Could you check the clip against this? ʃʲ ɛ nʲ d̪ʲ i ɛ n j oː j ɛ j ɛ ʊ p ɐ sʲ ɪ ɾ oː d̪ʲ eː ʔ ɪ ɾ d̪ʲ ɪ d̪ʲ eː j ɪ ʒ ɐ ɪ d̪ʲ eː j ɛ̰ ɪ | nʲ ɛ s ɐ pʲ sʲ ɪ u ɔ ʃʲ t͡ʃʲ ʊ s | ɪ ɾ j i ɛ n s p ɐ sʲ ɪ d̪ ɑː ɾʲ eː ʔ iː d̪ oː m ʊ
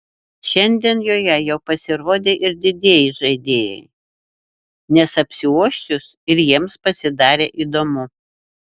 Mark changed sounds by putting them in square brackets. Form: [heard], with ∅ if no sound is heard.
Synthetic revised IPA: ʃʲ ɛ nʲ d̪ʲ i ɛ n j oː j ɛ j ɛ ʊ p ɐ sʲ ɪ ɾ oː d̪ʲ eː ʔ ɪ ɾ d̪ʲ ɪ d̪ʲ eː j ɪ ʒ ɐ ɪ d̪ʲ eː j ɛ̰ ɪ | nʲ ɛ s ɐ pʲ sʲ ɪ u ɔ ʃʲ t͡ʃʲ ʊ s | ɪ ɾ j i ɛ [m] s p ɐ sʲ ɪ d̪ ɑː ɾʲ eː ʔ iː d̪ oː m ʊ